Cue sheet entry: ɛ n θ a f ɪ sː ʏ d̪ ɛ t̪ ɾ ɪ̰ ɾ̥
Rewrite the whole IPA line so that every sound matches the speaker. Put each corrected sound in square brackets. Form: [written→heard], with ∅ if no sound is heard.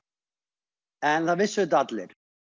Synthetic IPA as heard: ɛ n θ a [f→v] ɪ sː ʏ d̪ [ɛ→a] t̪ [ɾ→l] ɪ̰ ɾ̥